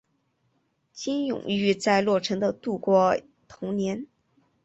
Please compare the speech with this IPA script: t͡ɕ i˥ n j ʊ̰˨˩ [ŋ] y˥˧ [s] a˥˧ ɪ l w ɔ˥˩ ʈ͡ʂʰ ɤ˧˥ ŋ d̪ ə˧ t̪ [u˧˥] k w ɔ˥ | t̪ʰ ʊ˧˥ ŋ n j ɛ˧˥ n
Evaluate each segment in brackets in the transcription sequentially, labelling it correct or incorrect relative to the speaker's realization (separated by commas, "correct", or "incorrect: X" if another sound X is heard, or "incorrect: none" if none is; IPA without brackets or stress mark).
correct, incorrect: t͡s, incorrect: u˥˩